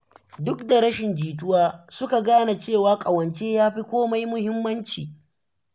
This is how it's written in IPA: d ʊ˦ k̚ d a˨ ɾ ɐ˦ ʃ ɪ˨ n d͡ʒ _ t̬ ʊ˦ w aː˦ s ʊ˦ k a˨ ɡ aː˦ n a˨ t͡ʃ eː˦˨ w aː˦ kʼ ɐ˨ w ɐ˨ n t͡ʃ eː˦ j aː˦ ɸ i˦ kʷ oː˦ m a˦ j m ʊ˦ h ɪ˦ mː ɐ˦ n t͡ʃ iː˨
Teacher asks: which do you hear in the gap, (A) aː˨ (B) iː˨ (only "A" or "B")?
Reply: B